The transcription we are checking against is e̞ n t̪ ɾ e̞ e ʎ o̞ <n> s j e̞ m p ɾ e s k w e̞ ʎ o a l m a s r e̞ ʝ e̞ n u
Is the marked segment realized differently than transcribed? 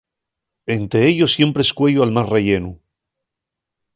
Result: yes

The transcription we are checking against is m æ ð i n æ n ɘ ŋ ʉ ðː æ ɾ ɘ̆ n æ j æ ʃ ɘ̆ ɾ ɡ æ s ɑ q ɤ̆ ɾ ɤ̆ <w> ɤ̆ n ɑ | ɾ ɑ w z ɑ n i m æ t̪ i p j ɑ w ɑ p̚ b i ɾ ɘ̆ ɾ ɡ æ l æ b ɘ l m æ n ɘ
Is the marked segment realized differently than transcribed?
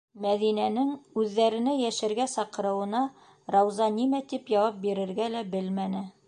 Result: no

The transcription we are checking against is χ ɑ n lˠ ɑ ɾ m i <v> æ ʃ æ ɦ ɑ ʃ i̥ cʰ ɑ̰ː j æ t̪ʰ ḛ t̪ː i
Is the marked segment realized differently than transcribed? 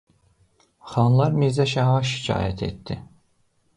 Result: yes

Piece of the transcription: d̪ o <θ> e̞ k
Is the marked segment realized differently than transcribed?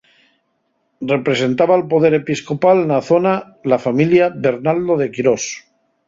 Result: yes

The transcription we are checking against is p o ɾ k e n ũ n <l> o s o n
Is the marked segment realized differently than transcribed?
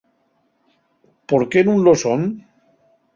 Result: no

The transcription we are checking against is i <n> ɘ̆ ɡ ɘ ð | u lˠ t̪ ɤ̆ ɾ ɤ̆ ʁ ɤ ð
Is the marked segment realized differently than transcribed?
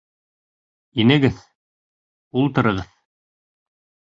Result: no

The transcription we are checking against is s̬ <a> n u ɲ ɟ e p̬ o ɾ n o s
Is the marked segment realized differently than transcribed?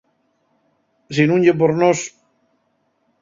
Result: yes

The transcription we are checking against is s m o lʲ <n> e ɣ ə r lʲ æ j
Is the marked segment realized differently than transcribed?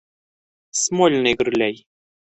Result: no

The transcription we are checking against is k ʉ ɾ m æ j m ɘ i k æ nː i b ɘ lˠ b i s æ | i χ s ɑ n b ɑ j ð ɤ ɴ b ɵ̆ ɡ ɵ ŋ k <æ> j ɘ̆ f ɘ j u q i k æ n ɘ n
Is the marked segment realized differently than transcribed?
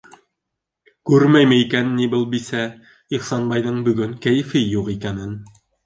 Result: no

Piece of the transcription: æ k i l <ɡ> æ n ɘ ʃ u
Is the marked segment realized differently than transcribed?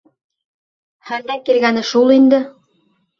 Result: no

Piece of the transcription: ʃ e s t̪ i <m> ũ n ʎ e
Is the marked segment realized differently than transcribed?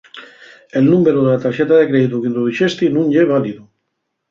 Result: yes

